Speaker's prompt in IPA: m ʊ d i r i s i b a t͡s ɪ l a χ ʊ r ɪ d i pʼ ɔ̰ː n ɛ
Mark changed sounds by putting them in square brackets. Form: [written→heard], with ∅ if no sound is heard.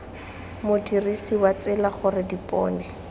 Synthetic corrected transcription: m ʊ d i r i s i [b→w] a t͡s ɪ l a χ ʊ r ɪ d i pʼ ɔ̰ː n ɛ